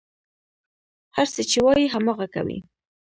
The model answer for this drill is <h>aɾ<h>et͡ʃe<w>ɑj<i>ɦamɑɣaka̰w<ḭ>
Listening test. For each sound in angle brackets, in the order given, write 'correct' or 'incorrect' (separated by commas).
correct, incorrect, correct, correct, correct